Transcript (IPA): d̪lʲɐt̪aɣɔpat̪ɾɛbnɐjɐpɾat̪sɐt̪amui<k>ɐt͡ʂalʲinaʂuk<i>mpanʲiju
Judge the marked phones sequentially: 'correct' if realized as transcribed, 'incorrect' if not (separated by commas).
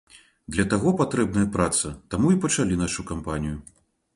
incorrect, incorrect